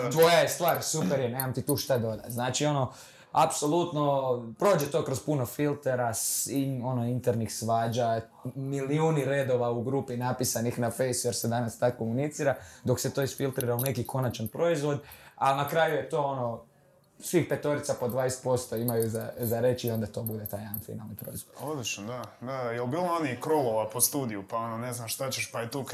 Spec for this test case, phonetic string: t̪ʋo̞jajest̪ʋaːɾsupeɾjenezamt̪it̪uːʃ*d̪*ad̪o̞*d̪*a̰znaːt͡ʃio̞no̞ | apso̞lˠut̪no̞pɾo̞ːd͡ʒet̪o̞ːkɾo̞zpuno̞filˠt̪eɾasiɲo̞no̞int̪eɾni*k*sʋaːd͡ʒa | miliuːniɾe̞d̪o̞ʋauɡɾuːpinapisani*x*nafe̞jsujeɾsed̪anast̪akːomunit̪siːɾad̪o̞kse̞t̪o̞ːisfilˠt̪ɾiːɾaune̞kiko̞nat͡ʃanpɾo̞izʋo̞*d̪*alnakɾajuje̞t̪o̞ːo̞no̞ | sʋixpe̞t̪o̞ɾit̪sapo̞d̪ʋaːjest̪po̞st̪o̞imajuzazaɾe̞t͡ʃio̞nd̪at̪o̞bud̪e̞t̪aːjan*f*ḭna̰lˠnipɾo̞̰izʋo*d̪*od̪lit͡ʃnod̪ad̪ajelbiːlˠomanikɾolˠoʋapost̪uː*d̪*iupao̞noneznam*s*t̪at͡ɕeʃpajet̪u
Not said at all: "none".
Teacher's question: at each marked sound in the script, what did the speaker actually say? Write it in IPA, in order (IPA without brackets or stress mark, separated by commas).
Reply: t̪, d̪, x, x, d̪, f, d̪, d̪, ʃ